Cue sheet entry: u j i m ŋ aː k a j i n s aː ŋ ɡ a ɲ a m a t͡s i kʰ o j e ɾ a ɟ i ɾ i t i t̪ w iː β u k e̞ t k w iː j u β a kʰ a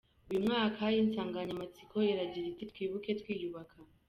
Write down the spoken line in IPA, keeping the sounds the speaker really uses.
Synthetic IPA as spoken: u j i m ŋ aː k a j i n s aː ŋ ɡ a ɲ a m a t͡s i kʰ o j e ɾ a ɟ i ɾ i t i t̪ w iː β u k e̞ t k w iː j u β a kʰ a